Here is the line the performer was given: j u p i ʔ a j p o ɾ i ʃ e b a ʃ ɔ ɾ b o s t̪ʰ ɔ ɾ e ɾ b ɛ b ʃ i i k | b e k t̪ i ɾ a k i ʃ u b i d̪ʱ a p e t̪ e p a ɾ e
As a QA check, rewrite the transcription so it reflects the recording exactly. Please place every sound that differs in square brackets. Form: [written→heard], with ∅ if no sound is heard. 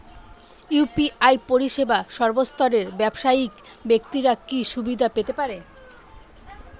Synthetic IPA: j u p i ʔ a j p o ɾ i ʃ e b a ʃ ɔ ɾ b o s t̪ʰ ɔ ɾ e ɾ b ɛ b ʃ [i→a] i k | b e k t̪ i ɾ a k i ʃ u b i d̪ʱ a p e t̪ e p a ɾ e